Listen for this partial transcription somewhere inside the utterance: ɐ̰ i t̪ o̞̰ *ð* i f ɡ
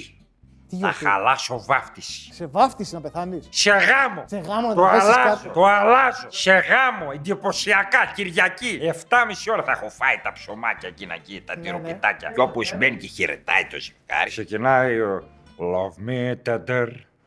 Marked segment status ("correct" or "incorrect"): incorrect